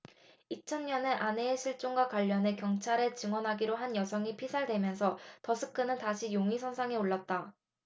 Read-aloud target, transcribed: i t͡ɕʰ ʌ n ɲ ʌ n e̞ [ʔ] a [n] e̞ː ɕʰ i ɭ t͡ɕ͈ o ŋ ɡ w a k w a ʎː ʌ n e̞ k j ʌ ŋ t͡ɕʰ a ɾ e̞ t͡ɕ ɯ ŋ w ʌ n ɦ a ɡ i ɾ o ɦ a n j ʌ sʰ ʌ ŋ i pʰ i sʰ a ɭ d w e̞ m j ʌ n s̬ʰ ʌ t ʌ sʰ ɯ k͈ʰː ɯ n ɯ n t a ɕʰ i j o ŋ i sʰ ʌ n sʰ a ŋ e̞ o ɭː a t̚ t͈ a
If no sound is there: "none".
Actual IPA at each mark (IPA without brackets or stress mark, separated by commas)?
ʔ, n